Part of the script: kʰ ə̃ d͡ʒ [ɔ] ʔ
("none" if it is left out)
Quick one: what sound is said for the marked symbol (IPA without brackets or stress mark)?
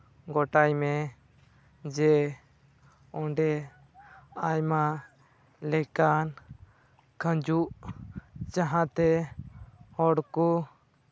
u